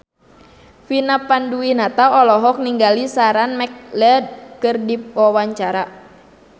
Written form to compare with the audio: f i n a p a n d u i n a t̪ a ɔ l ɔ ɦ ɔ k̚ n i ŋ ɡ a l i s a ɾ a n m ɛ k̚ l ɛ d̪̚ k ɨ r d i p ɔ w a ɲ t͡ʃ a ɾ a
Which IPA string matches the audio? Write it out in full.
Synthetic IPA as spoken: f i n a p a n d u i n a t̪ a ɔ l ɔ ɦ ɔ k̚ n i ŋ ɡ a l i s a ɾ a n m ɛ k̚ l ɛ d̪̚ k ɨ r d i p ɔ w a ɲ t͡ʃ a ɾ a

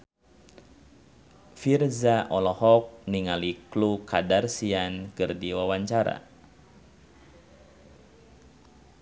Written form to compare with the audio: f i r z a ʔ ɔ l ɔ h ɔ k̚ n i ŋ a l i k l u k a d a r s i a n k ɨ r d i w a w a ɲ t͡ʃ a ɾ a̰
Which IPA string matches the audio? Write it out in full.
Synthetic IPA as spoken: f i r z a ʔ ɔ l ɔ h ɔ k̚ n i ŋ a l i k l u k a d a r s i a n k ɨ r d i w a w a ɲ t͡ʃ a ɾ a̰

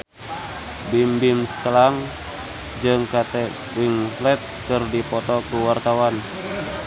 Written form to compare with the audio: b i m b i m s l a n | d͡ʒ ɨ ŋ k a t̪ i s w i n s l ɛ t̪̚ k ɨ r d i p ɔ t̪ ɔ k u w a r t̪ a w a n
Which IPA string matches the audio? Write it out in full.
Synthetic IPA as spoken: b i m b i m s l a ŋ | d͡ʒ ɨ ŋ k a t̪ ɛ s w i ŋ s l ɛ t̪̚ k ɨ r d i p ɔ t̪ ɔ k u w a r t̪ a w a n

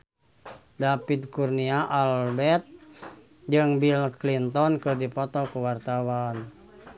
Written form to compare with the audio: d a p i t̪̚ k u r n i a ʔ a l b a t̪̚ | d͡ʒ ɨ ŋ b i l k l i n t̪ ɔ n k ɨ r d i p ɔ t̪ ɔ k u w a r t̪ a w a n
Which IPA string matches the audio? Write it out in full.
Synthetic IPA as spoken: d a p i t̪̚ k u r n i a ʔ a l b ɛ t̪̚ | d͡ʒ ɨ ŋ b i l k l i n t̪ ɔ n k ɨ r d i p ɔ t̪ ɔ k u w a r t̪ a w a n

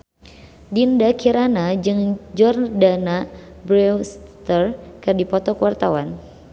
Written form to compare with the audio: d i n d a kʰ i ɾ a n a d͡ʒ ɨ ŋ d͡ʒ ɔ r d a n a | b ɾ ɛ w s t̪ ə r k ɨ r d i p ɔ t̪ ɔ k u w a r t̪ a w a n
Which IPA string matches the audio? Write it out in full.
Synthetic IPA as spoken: d i n d a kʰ i ɾ a n a d͡ʒ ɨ ŋ d͡ʒ ɔ r d a n a | b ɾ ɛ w s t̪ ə r k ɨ r d i p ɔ t̪ ɔ k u w a r t̪ a w a n

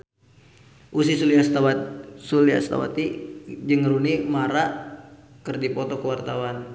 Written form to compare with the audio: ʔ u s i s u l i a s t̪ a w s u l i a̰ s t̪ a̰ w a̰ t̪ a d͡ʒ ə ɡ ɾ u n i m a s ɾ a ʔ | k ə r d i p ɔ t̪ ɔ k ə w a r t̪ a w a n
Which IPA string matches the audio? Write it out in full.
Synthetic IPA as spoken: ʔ u s i s u l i a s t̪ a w s u l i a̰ s t̪ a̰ w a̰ t̪ i d͡ʒ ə ŋ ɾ u n i m a ɾ a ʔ | k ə r d i p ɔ t̪ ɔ k ə w a r t̪ a w a n

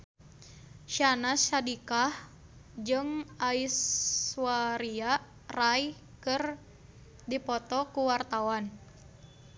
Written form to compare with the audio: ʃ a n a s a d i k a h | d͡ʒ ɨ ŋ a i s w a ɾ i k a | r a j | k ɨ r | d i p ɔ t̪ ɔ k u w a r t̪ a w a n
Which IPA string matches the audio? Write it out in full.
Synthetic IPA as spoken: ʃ a n a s a d i k a h | d͡ʒ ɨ ŋ a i s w a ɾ i a | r a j | k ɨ r | d i p ɔ t̪ ɔ k u w a r t̪ a w a n

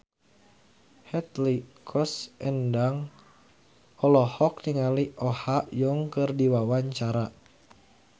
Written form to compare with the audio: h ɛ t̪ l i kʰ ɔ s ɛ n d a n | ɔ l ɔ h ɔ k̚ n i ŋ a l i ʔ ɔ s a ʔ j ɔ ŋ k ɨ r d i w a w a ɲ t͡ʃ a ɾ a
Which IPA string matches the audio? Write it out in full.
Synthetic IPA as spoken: h ɛ t̪ l i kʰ ɔ s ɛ n d a ŋ | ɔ l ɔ h ɔ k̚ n i ŋ a l i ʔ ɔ h a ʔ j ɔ ŋ k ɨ r d i w a w a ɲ t͡ʃ a ɾ a

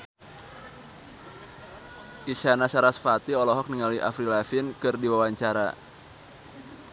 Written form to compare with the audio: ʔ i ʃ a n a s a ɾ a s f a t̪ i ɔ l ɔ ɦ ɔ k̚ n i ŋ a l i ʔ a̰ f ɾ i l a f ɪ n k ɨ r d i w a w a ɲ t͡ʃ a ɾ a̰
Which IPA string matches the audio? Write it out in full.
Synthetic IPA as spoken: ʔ i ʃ a n a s a ɾ a s f a t̪ i ɔ l ɔ ɦ ɔ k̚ n i ŋ a l i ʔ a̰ f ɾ i l a f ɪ n k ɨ r d i w a w a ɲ t͡ʃ a ɾ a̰

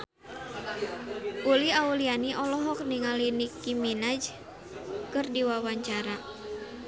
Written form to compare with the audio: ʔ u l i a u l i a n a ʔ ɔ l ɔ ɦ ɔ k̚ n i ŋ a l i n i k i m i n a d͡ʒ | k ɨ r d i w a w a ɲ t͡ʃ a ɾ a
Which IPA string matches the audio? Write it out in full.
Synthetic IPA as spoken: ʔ u l i a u l i a n i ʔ ɔ l ɔ ɦ ɔ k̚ n i ŋ a l i n i k i m i n a d͡ʒ | k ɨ r d i w a w a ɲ t͡ʃ a ɾ a

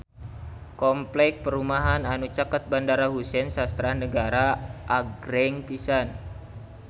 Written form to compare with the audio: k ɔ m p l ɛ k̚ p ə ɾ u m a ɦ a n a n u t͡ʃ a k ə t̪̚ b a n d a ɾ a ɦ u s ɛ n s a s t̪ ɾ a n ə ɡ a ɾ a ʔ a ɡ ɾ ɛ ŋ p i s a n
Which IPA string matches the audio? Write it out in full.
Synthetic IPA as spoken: k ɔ m p l ɛ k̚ p ə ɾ u m a ɦ a n a n u t͡ʃ a k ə t̪̚ b a n d a ɾ a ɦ u s ɛ n s a s t̪ ɾ a n ə ɡ a ɾ a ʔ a ɡ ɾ ɛ ŋ p i s a n

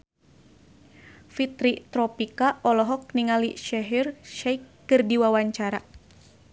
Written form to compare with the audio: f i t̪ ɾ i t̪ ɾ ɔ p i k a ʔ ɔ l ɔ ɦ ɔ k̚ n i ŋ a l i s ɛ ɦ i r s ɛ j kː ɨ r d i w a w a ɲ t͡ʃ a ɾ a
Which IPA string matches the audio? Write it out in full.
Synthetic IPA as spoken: f i t̪ ɾ i t̪ ɾ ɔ p i k a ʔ ɔ l ɔ ɦ ɔ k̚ n i ŋ a l i ʃ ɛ ɦ i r ʃ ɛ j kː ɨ r d i w a w a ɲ t͡ʃ a ɾ a

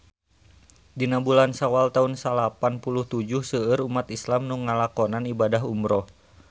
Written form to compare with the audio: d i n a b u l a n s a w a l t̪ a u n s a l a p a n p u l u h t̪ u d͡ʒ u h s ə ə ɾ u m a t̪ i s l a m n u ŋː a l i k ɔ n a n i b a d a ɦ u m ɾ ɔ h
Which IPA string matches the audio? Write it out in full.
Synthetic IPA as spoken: d i n a b u l a n s a w a l t̪ a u n s a l a p a n p u l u h t̪ u d͡ʒ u h s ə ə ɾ u m a t̪ i s l a m n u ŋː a l a k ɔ n a n i b a d a ɦ u m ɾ ɔ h

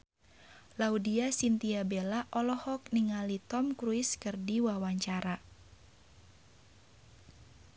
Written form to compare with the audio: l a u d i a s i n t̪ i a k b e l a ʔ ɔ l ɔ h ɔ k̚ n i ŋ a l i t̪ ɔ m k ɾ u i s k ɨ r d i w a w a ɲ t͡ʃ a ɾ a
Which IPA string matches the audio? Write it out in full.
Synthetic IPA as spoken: l a u d i a s i n t̪ i a b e l a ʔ ɔ l ɔ h ɔ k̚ n i ŋ a l i t̪ ɔ m k ɾ u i s k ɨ r d i w a w a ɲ t͡ʃ a ɾ a

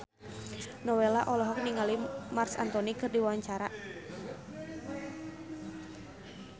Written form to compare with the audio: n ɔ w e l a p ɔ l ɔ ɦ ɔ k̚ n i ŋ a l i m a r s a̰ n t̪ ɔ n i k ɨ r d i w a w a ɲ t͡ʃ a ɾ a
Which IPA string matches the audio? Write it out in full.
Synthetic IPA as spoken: n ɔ w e l a ʔ ɔ l ɔ ɦ ɔ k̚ n i ŋ a l i m a r s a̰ n t̪ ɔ n i k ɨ r d i w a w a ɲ t͡ʃ a ɾ a

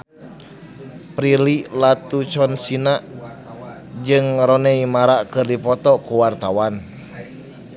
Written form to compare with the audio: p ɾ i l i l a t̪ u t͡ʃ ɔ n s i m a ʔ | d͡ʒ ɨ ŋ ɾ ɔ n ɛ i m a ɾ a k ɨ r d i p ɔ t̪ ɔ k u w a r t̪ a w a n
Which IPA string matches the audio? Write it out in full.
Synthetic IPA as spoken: p ɾ i l i l a t̪ u t͡ʃ ɔ n s i n a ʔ | d͡ʒ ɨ ŋ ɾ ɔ n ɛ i m a ɾ a k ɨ r d i p ɔ t̪ ɔ k u w a r t̪ a w a n

